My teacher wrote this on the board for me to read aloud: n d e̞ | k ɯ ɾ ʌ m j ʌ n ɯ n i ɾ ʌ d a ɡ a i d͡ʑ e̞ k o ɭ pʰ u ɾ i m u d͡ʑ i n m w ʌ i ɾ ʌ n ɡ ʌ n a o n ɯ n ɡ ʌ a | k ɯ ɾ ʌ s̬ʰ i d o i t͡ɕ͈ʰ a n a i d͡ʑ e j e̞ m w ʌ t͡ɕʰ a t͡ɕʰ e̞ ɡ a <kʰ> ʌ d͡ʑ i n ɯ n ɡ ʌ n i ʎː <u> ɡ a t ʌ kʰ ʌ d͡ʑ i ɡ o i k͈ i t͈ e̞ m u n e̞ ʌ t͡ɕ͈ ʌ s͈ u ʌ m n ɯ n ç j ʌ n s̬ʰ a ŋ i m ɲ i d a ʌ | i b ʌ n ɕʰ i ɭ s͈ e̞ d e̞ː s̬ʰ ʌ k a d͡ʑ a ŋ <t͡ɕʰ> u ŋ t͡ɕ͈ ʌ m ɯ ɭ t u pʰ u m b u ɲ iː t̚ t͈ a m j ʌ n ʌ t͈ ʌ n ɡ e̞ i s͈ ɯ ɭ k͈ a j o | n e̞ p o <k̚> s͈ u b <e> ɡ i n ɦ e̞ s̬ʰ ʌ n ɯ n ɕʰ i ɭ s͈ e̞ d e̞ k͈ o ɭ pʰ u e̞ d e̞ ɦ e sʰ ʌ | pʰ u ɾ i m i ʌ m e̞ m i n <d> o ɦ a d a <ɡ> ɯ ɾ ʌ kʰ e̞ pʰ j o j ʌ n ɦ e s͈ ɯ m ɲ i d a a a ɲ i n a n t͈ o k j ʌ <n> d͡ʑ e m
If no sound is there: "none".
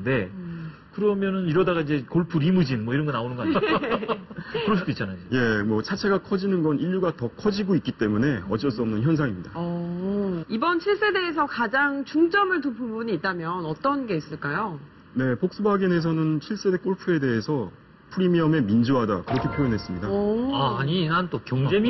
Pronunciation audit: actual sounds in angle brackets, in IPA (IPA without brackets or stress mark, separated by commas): kʰ, u, t͡ɕ, k̚, a, d͡ʑ, k, ŋ